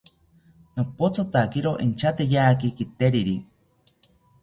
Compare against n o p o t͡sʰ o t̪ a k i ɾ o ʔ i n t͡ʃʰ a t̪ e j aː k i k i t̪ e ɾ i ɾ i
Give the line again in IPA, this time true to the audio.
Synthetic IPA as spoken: n o p o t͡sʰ o t̪ a k i ɾ o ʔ i n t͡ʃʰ a t̪ e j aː k i k i t̪ e ɾ i ɾ i